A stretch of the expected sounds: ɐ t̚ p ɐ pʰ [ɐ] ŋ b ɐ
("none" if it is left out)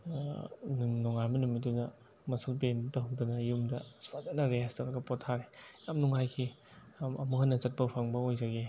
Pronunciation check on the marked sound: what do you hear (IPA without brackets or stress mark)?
a